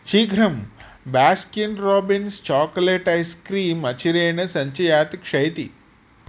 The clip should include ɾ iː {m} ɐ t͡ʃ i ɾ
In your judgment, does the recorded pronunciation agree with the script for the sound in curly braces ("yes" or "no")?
yes